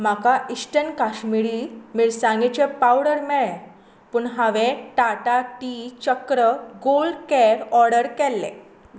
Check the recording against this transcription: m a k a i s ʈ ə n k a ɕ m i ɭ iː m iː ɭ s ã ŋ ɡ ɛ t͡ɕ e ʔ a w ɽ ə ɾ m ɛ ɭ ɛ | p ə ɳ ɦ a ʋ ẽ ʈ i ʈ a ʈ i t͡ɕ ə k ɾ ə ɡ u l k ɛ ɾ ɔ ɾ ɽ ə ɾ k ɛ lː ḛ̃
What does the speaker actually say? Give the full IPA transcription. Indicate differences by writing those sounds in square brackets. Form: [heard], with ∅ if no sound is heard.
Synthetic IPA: m a k a i s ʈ ə n k a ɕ m i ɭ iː m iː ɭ s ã ŋ ɡ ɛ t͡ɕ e [p] a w ɽ ə ɾ m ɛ ɭ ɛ | p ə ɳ ɦ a ʋ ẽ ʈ [a] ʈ a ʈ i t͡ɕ ə k ɾ ə ɡ [o] l k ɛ ɾ ɔ ɾ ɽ ə ɾ k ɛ lː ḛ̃